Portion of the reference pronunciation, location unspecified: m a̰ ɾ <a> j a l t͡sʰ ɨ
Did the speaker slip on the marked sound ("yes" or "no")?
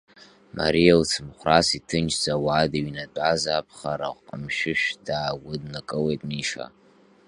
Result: yes